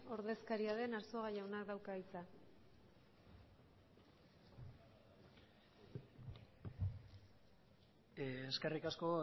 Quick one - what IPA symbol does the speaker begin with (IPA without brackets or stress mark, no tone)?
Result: o̞